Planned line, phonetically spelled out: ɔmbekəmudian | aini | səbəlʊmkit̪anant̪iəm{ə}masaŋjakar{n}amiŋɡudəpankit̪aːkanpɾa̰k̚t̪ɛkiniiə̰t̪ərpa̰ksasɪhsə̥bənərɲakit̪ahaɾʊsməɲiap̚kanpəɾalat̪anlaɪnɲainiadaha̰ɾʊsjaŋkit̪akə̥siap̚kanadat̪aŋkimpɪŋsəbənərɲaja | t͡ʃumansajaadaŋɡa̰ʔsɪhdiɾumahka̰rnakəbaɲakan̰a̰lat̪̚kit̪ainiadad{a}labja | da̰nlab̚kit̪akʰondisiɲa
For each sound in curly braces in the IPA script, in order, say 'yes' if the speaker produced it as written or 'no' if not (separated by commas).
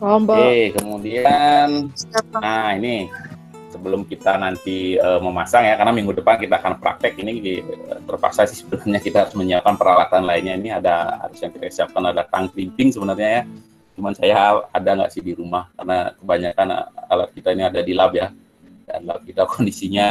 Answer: yes, yes, no